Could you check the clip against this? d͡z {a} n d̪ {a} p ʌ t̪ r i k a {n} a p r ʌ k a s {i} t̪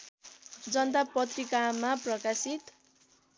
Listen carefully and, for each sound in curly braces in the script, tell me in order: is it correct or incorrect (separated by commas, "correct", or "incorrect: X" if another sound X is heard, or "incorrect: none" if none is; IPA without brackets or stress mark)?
incorrect: ʌ, correct, incorrect: m, correct